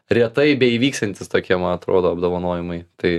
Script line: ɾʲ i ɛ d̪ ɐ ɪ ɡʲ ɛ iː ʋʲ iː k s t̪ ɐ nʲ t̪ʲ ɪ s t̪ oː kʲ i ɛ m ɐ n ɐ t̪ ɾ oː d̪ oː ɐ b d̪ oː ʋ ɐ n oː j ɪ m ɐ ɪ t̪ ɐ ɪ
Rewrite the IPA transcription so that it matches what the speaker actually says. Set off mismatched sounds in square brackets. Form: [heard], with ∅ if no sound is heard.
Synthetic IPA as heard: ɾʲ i ɛ [t̪] ɐ ɪ [bʲ] ɛ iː ʋʲ iː k s t̪ ɐ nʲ t̪ʲ ɪ s t̪ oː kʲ i ɛ m ɐ n ɐ t̪ ɾ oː d̪ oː ɐ b d̪ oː ʋ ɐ n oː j ɪ m ɐ ɪ t̪ ɐ ɪ